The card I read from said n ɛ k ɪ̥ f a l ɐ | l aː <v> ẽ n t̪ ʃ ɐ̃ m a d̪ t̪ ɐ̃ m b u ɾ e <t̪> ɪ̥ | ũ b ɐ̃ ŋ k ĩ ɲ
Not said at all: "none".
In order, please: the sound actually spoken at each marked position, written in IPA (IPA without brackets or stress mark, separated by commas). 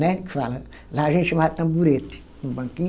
ʒ, t̪